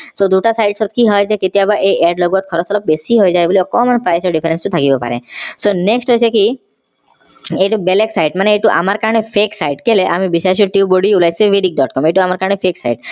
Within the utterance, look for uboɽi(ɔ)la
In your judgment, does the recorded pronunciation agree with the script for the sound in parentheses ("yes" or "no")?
no